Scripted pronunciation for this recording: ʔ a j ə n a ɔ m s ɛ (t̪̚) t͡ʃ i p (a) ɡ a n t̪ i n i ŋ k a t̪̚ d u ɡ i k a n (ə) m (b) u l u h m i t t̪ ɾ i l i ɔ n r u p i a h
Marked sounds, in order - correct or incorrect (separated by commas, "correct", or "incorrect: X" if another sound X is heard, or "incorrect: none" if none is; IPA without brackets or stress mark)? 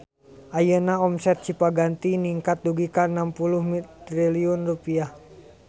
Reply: correct, correct, incorrect: a, incorrect: p